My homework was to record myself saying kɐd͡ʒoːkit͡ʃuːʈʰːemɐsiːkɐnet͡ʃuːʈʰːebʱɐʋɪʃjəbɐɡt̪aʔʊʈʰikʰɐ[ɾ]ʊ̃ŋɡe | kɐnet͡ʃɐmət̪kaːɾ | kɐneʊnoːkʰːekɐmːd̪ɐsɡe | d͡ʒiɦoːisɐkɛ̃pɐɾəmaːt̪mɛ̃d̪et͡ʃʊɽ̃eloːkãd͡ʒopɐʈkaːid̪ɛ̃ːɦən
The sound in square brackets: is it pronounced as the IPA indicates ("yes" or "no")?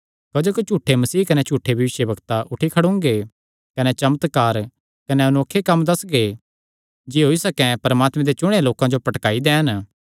no